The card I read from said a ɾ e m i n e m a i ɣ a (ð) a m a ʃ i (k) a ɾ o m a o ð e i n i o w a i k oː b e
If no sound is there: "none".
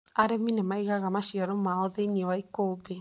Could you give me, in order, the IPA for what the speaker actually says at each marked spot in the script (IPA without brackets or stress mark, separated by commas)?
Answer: ɣ, none